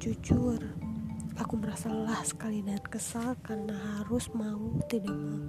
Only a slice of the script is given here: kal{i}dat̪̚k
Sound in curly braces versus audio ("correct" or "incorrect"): correct